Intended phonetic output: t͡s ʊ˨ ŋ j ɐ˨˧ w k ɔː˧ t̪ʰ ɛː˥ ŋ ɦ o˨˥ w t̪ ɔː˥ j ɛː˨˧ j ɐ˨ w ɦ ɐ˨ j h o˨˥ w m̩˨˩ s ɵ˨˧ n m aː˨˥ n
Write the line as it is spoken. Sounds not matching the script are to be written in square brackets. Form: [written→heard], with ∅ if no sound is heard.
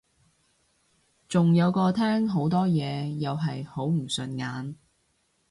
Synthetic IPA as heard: t͡s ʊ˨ ŋ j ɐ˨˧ w k ɔː˧ t̪ʰ ɛː˥ ŋ ɦ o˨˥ w t̪ ɔː˥ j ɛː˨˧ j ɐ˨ w ɦ ɐ˨ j h o˨˥ w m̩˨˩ s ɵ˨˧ n [m→ŋ] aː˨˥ n